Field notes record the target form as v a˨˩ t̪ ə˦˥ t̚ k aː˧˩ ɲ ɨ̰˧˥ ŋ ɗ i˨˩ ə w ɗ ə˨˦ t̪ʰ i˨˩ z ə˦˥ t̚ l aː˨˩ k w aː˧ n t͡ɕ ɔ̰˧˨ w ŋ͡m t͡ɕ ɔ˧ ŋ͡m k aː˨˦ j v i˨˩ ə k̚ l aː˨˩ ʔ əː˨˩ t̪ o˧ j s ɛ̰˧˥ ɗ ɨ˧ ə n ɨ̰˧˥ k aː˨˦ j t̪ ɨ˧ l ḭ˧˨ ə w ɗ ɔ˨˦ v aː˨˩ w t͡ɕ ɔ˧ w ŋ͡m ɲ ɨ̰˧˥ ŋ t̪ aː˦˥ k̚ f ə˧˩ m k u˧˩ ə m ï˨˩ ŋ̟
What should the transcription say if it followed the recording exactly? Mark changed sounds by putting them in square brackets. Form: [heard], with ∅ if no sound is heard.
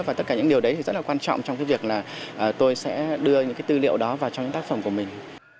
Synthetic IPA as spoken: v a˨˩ t̪ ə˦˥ t̚ k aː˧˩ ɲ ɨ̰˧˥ ŋ ɗ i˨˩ ə w ɗ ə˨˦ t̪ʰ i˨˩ z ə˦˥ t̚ l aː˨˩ k w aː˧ n t͡ɕ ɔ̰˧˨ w ŋ͡m t͡ɕ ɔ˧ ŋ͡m k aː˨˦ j v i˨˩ ə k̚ l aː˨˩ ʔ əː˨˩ t̪ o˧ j s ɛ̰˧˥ ɗ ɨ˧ ə [ɲ] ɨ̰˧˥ k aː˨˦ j t̪ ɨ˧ l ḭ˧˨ ə w ɗ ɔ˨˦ v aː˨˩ w t͡ɕ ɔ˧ w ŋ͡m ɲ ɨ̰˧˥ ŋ t̪ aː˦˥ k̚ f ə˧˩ m k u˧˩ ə m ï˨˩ ŋ̟